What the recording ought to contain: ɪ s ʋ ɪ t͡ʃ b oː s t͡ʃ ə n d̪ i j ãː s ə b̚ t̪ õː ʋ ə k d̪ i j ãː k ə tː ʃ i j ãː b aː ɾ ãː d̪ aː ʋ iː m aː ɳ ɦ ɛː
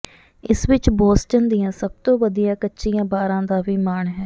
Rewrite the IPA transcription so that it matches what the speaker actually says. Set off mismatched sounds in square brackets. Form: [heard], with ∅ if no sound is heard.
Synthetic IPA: ɪ s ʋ ɪ t͡ʃ b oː s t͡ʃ ə n d̪ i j ãː s ə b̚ t̪ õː ʋ ə [∅] d̪ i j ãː k ə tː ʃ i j ãː b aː ɾ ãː d̪ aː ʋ iː m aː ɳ ɦ ɛː